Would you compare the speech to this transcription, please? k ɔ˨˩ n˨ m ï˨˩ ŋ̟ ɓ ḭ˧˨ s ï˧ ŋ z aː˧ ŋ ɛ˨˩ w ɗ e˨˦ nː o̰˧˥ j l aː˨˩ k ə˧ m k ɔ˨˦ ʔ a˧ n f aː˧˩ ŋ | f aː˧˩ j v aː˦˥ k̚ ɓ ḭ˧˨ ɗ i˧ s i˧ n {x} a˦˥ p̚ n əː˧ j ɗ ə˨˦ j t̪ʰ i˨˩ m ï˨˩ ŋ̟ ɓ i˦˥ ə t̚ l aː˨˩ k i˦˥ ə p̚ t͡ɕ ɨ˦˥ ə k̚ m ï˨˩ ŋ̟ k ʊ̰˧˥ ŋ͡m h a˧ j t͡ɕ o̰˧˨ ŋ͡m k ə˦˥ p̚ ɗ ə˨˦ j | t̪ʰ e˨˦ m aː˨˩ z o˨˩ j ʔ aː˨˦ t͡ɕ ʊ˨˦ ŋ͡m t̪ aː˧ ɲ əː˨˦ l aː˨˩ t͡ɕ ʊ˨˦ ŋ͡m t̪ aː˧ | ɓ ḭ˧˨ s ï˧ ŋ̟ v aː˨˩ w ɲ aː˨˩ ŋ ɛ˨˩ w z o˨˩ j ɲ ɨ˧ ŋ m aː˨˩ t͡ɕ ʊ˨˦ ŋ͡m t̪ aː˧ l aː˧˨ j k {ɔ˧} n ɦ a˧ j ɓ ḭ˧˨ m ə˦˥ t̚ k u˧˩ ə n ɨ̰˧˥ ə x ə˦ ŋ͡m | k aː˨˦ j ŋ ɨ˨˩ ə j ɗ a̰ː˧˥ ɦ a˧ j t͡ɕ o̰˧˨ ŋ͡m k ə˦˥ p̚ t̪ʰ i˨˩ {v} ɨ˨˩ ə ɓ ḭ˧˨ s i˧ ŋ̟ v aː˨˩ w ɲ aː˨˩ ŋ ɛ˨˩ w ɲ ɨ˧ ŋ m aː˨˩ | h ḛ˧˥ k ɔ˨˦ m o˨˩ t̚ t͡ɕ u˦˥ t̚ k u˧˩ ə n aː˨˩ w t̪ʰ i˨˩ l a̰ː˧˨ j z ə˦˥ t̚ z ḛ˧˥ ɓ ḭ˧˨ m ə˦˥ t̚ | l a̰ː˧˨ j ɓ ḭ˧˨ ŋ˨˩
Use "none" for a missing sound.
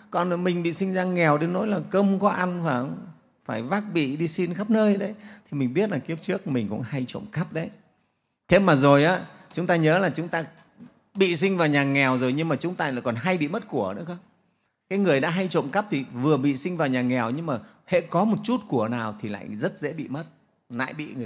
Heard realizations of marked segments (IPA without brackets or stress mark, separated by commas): x, ɔ˨˩, v